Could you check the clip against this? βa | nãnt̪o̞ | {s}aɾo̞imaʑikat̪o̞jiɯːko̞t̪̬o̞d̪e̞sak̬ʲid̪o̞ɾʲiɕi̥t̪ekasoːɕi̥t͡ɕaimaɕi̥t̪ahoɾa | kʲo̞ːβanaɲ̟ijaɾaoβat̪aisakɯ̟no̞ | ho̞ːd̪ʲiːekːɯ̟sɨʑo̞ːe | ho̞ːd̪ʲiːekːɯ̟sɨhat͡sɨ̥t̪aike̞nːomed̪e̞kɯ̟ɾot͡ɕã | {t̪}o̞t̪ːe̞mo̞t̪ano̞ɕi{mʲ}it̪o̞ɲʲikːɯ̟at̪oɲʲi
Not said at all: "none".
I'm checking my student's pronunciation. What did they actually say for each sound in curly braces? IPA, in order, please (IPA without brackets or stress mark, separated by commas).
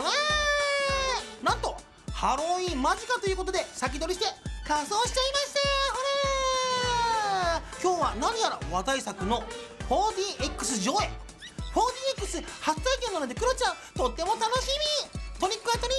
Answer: h, t̪, mʲ